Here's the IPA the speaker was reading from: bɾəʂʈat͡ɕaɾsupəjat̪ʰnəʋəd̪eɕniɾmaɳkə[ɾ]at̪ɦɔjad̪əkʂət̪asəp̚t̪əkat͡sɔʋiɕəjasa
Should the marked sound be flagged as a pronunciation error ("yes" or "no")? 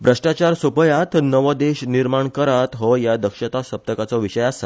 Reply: no